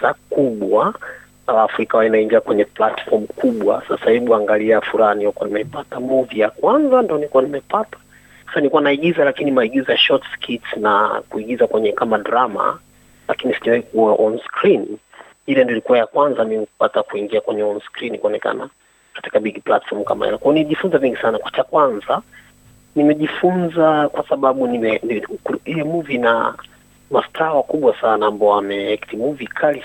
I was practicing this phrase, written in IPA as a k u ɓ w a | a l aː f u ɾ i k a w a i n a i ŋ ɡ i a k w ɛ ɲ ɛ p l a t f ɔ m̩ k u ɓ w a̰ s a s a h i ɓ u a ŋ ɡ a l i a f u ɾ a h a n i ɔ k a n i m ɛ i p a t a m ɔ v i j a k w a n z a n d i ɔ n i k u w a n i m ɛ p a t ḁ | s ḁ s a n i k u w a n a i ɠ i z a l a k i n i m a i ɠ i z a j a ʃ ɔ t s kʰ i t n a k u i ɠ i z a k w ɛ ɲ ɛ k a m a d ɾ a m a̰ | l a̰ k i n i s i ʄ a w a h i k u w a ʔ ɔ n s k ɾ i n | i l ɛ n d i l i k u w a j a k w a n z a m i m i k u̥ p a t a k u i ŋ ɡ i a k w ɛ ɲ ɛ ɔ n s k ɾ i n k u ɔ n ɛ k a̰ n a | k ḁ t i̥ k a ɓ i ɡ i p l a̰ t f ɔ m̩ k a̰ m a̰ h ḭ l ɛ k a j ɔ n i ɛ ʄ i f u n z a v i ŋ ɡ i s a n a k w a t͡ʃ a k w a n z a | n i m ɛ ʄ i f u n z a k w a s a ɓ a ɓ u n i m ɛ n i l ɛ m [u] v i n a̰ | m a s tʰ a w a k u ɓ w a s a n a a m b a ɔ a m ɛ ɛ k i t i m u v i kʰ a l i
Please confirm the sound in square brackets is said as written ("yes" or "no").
yes